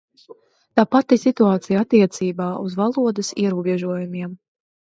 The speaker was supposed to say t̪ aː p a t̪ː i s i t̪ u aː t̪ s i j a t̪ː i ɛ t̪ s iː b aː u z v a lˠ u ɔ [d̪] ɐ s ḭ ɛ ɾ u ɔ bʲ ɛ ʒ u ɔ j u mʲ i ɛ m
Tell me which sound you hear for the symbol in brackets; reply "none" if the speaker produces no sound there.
d̪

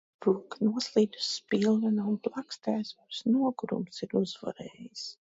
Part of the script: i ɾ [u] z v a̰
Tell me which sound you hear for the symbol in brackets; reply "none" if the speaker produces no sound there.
u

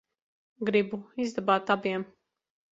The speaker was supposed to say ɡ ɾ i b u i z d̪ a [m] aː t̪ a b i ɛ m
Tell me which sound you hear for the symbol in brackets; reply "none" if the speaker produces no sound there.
b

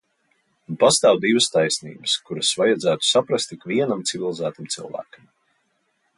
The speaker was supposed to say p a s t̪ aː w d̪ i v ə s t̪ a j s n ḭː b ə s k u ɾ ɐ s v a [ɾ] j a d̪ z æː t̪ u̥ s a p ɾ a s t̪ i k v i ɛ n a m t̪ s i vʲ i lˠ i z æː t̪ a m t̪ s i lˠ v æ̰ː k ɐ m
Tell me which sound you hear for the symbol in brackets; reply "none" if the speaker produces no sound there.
none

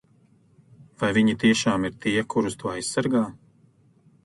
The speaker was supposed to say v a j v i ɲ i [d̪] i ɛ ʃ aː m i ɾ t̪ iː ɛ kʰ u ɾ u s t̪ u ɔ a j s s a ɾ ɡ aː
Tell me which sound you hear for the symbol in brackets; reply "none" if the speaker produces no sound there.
t̪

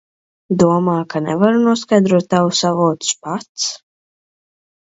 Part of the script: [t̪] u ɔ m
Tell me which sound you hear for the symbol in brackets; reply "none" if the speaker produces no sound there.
d̪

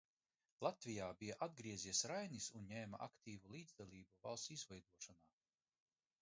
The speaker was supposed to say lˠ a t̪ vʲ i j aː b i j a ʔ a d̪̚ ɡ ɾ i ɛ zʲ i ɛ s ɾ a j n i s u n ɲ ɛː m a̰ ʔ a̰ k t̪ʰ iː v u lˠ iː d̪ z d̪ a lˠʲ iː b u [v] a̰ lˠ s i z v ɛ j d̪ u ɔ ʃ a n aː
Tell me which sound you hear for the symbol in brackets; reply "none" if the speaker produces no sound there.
v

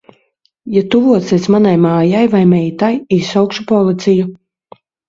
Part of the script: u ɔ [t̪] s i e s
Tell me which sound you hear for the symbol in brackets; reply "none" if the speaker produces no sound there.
t̪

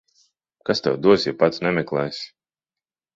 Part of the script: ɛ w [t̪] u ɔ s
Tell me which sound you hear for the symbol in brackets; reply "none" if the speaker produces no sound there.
d̪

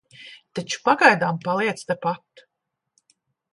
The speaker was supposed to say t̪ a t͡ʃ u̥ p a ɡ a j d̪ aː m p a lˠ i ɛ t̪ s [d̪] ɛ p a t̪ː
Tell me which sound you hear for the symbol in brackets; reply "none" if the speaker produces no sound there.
t̪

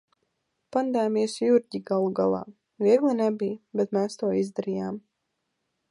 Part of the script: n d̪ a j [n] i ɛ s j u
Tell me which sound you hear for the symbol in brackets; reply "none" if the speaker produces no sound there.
m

